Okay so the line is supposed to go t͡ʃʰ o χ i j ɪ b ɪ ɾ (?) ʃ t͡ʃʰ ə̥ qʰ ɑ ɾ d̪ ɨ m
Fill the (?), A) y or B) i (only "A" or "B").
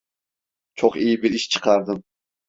B